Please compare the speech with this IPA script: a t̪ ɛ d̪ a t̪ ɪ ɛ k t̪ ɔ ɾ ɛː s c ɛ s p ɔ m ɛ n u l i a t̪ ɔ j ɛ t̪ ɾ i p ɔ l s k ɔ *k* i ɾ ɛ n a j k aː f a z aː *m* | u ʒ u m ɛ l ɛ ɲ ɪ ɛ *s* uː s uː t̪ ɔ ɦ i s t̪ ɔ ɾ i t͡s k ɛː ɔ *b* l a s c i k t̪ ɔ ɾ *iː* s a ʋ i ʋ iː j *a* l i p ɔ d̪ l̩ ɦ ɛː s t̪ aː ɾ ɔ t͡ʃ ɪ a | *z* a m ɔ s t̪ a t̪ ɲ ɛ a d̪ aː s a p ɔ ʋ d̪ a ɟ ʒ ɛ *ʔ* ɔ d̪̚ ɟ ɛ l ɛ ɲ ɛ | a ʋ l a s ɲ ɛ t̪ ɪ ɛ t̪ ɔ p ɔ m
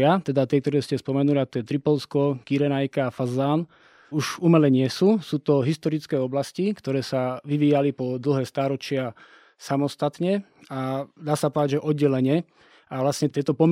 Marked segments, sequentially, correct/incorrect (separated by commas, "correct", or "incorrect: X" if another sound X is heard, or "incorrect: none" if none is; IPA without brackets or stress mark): correct, incorrect: n, correct, correct, incorrect: ɛː, correct, incorrect: s, correct